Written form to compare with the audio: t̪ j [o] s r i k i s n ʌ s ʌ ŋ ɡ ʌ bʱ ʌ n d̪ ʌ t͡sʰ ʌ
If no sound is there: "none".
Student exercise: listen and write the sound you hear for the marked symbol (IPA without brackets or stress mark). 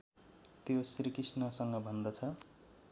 o